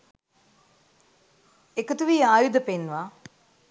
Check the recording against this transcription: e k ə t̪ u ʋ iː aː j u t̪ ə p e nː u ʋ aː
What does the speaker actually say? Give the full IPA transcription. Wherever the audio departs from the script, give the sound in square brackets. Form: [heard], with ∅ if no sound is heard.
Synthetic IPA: e k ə t̪ u ʋ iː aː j u [d̪] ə p e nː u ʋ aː